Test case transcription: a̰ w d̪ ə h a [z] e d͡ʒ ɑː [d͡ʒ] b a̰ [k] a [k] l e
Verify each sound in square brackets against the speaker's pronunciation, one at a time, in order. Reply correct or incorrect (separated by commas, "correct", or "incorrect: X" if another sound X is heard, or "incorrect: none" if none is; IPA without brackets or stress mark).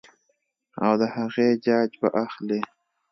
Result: incorrect: ɣ, correct, incorrect: ʔ, incorrect: x